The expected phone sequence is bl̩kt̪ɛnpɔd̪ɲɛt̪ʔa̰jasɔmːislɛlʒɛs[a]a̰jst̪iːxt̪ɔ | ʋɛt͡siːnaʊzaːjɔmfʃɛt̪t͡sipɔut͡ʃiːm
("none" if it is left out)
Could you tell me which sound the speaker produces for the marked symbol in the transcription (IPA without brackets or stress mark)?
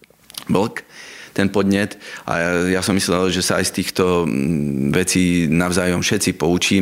a